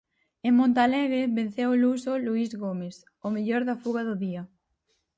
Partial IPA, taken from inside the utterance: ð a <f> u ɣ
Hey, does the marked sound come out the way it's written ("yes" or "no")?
yes